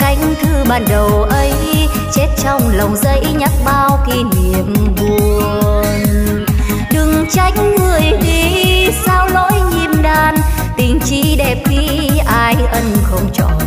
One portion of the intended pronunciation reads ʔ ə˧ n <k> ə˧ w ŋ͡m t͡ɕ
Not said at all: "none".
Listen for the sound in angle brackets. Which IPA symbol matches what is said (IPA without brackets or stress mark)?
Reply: x